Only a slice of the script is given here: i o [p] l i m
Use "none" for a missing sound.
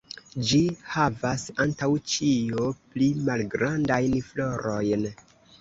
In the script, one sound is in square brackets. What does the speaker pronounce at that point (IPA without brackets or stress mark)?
p